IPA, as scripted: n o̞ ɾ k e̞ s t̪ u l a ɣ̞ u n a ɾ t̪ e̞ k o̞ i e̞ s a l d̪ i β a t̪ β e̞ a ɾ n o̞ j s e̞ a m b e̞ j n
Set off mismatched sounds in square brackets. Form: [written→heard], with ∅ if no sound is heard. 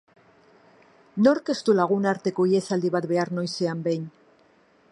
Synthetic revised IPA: n o̞ ɾ k e̞ s t̪ u l a ɣ̞ u n a ɾ t̪ e̞ k o̞ i e̞ s a l d̪ i β a t̪ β e̞ a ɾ n o̞ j s e̞ a m b e̞ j n